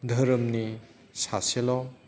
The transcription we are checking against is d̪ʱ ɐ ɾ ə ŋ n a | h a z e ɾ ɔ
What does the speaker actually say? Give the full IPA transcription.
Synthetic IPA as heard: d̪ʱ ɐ ɾ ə m n i | s a s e l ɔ